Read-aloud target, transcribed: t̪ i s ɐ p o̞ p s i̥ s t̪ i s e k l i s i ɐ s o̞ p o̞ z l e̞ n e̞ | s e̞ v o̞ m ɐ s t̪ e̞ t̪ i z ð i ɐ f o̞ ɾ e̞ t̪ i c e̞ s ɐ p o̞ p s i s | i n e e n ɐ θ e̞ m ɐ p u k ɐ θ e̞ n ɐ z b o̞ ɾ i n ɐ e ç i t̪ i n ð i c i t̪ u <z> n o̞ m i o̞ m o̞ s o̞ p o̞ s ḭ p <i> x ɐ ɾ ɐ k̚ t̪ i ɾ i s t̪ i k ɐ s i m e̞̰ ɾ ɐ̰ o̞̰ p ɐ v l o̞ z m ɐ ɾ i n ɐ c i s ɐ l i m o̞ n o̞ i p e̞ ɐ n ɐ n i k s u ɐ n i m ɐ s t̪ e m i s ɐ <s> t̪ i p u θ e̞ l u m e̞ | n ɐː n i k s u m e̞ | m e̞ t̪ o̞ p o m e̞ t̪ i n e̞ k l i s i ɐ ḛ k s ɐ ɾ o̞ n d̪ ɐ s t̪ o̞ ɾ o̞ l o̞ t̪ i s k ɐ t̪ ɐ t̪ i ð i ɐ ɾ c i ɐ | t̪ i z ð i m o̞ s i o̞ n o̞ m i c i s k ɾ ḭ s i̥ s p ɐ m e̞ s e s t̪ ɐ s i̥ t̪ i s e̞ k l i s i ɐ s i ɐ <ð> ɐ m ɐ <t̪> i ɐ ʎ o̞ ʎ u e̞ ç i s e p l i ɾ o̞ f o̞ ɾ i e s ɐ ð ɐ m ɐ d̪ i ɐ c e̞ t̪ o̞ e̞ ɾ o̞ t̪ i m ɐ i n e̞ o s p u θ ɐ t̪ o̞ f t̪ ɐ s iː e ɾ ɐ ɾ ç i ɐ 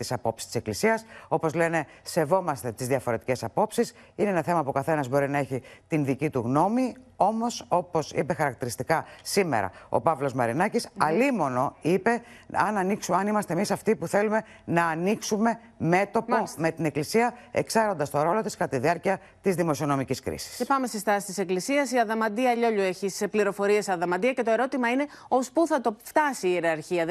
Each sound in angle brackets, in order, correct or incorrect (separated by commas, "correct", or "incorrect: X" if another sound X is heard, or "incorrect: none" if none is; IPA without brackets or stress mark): incorrect: ɣ, incorrect: e, incorrect: f, correct, incorrect: d̪